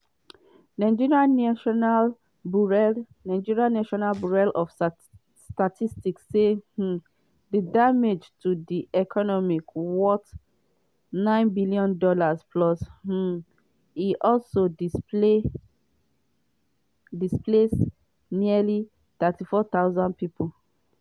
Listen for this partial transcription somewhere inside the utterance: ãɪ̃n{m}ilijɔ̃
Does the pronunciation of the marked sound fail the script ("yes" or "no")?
yes